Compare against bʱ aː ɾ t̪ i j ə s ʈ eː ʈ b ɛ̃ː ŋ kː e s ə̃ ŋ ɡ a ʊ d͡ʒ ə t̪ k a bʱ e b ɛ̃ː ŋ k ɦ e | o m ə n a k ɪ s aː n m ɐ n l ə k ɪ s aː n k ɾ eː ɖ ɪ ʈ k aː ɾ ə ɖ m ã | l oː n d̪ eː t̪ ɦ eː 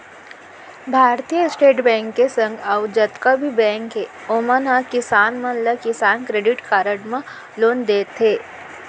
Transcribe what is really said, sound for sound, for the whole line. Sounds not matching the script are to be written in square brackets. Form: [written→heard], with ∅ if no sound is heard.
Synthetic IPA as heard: bʱ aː ɾ t̪ i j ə s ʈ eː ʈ b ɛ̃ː ŋ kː e s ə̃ ŋ ɡ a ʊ d͡ʒ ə t̪ k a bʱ [e→i] b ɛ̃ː ŋ k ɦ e | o m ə n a k ɪ s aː n m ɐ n l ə k ɪ s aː n k ɾ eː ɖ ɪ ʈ k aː ɾ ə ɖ m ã | l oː n d̪ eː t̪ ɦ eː